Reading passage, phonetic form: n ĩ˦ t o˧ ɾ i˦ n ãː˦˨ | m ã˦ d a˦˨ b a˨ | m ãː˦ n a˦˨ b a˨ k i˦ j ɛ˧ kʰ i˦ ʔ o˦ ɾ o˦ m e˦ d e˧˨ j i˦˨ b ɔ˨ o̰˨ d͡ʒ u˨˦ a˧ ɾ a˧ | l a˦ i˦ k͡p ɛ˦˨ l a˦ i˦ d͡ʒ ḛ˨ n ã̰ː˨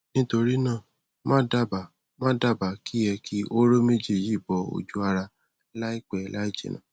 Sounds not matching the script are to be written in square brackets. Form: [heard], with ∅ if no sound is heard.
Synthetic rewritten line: n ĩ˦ t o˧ ɾ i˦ n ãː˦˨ | m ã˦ d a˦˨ b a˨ | m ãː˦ [d] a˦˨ b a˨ k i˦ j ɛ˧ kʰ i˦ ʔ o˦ ɾ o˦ m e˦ [d͡ʒ] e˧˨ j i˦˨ b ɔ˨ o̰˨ d͡ʒ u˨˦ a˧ ɾ a˧ | l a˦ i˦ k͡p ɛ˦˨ l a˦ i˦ d͡ʒ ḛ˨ n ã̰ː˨